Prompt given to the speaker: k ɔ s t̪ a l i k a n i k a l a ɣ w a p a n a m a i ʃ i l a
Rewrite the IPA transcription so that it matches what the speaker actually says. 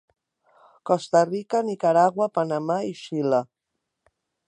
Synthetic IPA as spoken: k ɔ s t̪ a r i k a n i k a ɾ a ɣ w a p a n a m a i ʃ i l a